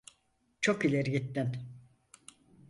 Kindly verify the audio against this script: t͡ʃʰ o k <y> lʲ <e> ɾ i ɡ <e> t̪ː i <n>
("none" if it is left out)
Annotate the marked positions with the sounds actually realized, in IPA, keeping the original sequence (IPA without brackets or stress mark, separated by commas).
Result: i, e, i, n